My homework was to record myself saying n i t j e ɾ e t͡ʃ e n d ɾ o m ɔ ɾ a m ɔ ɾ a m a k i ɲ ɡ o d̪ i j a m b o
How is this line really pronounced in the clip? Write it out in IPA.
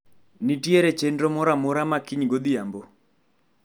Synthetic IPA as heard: n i t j e ɾ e t͡ʃ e n d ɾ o m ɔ ɾ a m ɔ ɾ a m a k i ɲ ɡ o d̪ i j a m b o